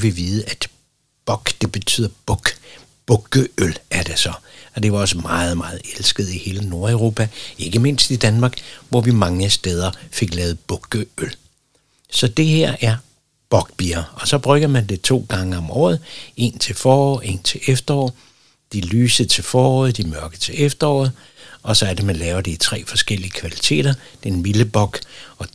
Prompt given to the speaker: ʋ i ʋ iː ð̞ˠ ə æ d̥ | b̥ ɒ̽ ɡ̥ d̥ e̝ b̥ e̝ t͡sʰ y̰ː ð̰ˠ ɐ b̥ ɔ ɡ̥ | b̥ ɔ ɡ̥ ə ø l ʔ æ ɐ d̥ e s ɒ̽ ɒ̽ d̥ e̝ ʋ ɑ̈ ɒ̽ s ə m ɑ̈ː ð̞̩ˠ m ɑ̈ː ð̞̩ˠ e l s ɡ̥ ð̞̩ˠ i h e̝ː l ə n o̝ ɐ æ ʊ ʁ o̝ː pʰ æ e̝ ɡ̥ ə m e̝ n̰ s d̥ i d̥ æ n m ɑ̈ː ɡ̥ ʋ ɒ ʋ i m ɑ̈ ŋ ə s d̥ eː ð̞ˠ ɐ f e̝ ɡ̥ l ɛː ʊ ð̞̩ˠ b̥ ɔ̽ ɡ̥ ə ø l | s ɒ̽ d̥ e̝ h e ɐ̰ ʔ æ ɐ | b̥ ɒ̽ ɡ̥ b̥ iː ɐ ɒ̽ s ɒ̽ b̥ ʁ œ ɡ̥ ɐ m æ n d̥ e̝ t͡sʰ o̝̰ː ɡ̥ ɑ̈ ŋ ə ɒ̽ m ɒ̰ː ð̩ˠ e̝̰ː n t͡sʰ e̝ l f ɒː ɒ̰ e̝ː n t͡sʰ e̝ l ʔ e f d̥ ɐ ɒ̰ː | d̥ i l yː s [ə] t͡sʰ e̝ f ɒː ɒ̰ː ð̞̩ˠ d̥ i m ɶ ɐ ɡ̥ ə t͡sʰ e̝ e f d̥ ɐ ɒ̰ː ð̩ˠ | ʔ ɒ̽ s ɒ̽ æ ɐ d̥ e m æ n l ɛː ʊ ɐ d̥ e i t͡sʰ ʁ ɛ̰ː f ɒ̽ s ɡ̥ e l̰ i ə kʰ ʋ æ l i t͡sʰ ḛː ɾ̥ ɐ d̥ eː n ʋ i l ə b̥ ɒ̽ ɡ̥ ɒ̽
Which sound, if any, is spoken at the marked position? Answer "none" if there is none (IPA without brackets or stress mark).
ə